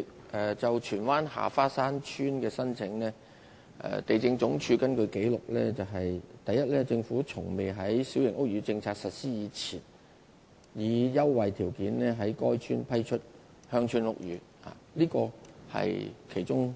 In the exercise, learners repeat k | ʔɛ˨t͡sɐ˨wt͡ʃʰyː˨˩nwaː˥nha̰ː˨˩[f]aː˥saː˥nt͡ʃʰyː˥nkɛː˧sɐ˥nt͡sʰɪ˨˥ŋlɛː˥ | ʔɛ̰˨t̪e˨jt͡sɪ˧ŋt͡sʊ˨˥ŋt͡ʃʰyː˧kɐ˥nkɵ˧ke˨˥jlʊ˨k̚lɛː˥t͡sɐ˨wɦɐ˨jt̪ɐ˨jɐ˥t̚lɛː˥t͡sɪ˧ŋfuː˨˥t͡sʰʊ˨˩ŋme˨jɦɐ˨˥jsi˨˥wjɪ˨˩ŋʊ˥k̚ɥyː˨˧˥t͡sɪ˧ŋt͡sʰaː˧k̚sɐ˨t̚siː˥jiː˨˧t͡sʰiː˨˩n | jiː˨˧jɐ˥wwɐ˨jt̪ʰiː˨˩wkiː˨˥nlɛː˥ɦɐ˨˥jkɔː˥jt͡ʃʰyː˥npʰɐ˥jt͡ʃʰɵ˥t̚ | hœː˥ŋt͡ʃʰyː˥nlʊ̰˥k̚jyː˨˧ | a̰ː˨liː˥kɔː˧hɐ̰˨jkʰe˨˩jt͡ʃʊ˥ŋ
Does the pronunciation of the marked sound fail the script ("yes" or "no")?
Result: no